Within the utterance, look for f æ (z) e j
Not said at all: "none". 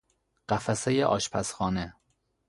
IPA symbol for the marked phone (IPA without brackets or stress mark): s